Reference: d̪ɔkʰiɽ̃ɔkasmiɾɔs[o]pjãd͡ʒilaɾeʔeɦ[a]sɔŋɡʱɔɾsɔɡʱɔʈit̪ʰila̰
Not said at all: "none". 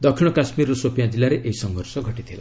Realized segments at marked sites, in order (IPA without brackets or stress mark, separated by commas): o, i